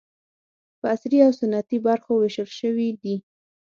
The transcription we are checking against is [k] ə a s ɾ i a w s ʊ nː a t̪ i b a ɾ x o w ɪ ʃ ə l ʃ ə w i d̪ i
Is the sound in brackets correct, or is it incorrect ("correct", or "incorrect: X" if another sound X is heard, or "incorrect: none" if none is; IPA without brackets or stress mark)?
incorrect: p